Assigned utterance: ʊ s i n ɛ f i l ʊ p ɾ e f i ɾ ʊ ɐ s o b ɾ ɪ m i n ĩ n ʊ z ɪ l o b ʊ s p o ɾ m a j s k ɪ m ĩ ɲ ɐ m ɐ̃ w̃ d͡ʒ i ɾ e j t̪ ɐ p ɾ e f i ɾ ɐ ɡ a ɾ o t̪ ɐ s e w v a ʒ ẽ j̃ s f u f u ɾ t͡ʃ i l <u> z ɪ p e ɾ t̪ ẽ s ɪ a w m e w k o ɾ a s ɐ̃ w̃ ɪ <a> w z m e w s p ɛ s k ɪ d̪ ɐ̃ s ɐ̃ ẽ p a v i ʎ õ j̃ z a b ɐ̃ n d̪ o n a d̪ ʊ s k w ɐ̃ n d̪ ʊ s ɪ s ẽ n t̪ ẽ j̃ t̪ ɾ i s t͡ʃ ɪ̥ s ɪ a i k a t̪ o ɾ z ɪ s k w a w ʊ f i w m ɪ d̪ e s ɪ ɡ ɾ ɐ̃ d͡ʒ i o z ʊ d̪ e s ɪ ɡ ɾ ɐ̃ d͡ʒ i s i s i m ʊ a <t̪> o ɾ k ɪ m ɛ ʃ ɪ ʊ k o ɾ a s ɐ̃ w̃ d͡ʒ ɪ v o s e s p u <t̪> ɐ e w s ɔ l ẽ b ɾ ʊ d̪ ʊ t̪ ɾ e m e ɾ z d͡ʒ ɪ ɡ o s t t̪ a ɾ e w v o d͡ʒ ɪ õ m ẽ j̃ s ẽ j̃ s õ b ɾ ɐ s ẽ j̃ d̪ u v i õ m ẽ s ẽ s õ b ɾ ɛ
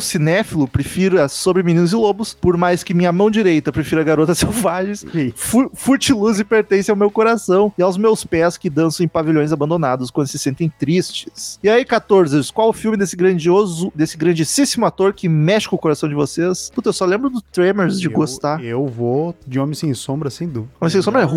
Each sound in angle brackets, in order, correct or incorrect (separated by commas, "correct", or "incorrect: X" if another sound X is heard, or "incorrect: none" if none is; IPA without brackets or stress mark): correct, correct, correct, correct